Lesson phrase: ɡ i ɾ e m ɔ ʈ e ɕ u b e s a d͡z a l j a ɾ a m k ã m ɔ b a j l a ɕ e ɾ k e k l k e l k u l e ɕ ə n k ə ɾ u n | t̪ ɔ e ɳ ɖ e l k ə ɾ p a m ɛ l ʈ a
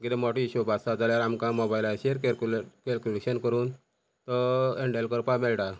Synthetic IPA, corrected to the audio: ɡ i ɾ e m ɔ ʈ i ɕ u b a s a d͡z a l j a ɾ a m k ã m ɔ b a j l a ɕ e ɾ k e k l k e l k u l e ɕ ə n k ə ɾ uː n | t̪ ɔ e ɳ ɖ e l k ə ɾ p a m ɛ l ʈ a